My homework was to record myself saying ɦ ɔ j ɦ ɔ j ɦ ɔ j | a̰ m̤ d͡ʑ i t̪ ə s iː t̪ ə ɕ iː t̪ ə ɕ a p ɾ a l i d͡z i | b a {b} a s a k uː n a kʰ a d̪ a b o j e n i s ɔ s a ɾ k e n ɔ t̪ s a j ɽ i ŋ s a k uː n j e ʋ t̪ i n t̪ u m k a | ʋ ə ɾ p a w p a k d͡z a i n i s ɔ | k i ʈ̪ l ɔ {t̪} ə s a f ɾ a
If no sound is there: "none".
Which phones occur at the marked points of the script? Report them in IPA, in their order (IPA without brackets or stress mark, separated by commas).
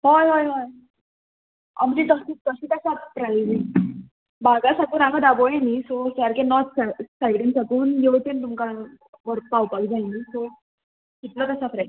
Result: ɡ, t̪